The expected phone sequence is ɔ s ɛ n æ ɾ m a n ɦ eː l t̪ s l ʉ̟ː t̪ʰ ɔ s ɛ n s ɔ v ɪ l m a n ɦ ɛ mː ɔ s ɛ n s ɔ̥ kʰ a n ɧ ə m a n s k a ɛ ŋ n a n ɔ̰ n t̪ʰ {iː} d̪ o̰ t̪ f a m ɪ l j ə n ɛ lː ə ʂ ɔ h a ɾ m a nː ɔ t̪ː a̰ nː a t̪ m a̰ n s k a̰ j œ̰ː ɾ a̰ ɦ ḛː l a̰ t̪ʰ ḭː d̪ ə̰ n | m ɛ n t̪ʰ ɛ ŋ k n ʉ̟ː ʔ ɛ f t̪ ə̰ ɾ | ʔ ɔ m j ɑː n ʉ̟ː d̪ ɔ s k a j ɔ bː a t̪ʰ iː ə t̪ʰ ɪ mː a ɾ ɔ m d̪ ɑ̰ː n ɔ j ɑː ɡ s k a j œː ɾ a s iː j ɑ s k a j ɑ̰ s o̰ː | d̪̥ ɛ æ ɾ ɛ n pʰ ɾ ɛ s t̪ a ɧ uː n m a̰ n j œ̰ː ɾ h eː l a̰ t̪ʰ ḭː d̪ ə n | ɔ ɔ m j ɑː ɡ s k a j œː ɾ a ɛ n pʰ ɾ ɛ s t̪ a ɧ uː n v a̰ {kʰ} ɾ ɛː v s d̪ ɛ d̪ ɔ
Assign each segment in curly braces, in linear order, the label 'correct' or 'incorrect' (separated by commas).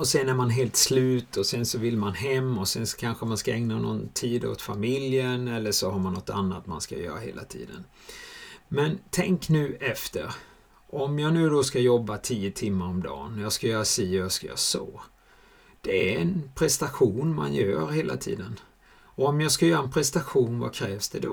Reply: correct, correct